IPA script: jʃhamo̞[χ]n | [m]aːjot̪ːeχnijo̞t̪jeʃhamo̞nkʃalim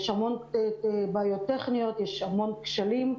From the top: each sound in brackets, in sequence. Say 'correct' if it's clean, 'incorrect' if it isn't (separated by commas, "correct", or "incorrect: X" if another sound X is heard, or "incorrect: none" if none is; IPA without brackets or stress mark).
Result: incorrect: none, incorrect: b